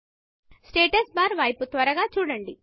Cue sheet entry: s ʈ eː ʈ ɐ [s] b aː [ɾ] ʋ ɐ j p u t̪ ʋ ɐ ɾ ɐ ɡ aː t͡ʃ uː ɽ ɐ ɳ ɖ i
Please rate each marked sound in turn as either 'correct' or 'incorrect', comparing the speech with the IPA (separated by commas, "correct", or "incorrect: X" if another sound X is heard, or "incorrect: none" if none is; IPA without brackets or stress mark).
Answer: correct, correct